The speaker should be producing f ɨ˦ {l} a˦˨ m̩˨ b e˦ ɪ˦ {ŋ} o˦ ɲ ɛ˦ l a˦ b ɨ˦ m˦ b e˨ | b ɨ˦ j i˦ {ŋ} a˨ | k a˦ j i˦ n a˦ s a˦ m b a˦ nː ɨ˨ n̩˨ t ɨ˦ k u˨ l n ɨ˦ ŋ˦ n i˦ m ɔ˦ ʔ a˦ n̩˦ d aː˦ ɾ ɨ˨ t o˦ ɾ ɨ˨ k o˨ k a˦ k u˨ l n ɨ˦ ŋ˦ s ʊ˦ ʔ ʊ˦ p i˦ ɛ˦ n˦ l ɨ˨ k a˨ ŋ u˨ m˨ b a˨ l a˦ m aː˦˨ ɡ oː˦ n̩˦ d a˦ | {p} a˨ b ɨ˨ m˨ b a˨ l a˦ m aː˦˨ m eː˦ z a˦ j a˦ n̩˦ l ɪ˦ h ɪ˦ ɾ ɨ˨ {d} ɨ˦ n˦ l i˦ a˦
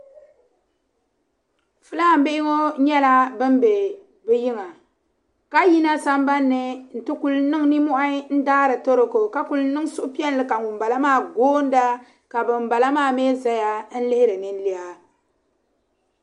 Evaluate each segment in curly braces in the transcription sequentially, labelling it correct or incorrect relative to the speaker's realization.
correct, correct, correct, incorrect: k, incorrect: n

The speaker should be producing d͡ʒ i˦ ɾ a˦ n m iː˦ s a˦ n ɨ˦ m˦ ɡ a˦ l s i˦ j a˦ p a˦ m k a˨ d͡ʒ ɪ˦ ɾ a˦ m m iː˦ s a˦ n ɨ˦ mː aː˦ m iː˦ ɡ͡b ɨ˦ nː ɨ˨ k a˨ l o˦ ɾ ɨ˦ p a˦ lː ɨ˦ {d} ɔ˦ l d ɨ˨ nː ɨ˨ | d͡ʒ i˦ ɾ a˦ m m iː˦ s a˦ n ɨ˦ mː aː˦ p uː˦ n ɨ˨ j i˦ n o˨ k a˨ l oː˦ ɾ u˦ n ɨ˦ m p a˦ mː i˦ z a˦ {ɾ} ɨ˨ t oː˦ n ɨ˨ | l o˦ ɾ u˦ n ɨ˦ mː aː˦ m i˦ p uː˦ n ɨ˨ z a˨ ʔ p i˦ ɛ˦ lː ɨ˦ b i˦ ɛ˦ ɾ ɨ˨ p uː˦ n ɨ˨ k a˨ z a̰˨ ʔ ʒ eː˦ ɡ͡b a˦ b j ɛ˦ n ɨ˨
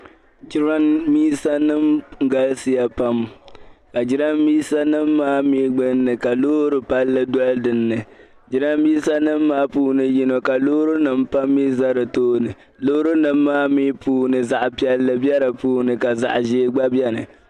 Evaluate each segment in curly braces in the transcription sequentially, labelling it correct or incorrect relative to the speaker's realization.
correct, correct

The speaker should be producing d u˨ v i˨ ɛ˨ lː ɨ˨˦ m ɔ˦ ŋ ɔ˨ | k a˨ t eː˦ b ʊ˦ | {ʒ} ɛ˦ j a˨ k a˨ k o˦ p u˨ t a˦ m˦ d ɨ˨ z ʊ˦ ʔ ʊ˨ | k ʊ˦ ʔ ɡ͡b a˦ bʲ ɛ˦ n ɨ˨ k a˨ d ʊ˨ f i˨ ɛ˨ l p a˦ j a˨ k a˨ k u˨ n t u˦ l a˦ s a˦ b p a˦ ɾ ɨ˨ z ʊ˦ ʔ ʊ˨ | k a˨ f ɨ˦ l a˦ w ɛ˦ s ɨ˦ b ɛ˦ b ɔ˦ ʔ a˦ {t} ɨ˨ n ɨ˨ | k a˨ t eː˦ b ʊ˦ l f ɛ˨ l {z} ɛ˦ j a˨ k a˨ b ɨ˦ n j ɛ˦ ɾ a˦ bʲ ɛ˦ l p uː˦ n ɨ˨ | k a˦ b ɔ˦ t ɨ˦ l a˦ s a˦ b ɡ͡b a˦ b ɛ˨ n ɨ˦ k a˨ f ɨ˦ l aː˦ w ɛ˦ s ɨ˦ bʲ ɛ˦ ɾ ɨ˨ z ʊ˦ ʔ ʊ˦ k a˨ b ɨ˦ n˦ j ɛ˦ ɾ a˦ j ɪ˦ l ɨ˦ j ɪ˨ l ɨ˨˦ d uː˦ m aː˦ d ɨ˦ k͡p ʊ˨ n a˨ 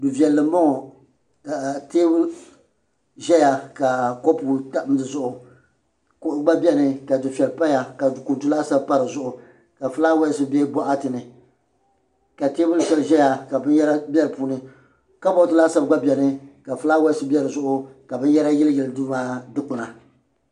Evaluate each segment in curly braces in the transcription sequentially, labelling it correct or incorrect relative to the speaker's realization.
correct, correct, incorrect: ʒ

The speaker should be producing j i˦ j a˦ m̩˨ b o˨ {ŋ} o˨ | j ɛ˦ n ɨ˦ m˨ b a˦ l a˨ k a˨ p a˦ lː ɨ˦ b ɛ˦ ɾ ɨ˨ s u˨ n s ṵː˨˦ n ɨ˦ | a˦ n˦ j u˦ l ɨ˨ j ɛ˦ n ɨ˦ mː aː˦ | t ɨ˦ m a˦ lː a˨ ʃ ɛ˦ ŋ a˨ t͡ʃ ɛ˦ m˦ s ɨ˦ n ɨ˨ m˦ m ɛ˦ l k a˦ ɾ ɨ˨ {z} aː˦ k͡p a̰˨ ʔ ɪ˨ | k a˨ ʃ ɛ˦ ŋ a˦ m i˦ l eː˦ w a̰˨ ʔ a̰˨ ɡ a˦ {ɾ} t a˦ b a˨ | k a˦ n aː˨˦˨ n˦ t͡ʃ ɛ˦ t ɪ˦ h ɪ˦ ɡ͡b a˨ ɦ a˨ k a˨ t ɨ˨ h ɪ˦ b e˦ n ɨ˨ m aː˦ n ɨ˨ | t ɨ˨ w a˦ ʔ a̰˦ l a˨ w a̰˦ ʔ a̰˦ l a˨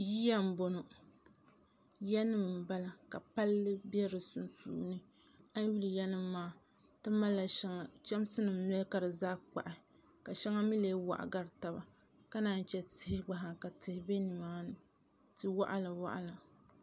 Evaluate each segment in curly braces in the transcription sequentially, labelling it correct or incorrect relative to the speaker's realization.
incorrect: n, correct, correct

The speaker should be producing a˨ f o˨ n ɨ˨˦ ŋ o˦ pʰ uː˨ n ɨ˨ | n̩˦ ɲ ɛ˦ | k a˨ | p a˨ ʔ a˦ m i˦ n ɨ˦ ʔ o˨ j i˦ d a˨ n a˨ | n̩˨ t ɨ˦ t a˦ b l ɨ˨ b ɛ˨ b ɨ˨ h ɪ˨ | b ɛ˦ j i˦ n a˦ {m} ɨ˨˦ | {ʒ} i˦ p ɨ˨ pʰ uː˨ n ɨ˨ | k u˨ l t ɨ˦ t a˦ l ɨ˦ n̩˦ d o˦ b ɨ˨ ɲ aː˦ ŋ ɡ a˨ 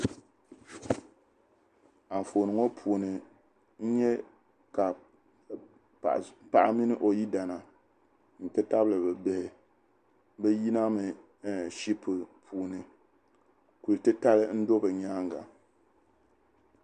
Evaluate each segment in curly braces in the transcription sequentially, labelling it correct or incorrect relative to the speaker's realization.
correct, incorrect: ʃ

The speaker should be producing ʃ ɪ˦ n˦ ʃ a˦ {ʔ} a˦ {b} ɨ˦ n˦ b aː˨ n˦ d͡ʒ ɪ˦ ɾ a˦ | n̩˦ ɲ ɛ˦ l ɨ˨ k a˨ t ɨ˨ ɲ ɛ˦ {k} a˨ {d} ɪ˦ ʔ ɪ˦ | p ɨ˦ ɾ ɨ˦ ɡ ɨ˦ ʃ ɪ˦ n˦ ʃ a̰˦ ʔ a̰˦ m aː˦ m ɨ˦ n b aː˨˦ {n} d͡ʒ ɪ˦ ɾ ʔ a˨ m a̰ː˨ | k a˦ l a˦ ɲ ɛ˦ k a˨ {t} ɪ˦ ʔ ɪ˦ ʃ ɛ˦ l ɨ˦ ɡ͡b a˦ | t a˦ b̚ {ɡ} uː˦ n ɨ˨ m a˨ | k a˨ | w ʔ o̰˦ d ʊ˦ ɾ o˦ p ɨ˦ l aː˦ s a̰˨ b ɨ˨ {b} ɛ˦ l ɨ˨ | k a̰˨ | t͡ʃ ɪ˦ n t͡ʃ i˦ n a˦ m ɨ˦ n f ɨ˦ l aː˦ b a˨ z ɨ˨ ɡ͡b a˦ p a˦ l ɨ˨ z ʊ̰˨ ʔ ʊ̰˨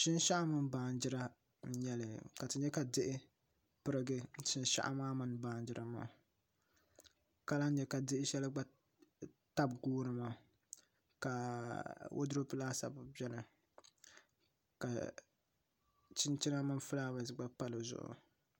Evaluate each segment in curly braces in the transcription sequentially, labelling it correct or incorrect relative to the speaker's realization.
correct, incorrect: m, correct, correct, correct, incorrect: d, correct, correct

